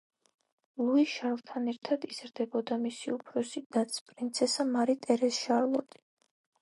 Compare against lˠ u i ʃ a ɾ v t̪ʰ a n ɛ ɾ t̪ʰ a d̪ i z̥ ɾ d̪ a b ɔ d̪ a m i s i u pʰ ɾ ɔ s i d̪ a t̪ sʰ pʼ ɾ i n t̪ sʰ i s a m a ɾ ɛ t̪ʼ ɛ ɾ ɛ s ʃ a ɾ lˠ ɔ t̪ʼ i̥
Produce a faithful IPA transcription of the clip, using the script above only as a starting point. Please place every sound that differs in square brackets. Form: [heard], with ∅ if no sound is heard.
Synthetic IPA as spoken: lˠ u i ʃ a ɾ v t̪ʰ a n ɛ ɾ t̪ʰ a d̪ i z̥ ɾ d̪ [ɛ] b ɔ d̪ a m i s i u pʰ ɾ ɔ s i d̪ a t̪ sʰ pʼ ɾ i n t̪ sʰ [ɛ] s a m a ɾ [i] t̪ʼ ɛ ɾ ɛ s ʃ a ɾ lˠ ɔ t̪ʼ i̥

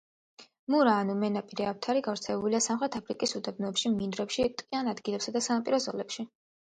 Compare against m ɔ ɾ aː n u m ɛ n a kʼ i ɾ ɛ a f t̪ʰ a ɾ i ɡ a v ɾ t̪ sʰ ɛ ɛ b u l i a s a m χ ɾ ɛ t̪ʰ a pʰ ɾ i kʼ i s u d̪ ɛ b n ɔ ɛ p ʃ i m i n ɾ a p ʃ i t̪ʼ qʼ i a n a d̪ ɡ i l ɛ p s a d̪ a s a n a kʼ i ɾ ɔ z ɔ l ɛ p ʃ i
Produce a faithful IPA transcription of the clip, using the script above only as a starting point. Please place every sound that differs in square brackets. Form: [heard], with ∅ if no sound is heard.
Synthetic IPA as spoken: m [u] ɾ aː n u m ɛ n a [pʼ] i ɾ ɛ a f t̪ʰ a ɾ i ɡ a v ɾ t̪ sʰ ɛ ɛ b u l i a s a m χ ɾ ɛ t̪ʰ a pʰ ɾ i kʼ i s u d̪ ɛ b n ɔ ɛ p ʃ i m i n ɾ [ɛ] p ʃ i t̪ʼ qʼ i a n a d̪ ɡ i l ɛ p s a d̪ a s a n a [pʼ] i ɾ ɔ z ɔ l ɛ p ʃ i

